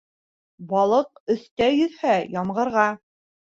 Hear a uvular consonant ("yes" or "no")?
yes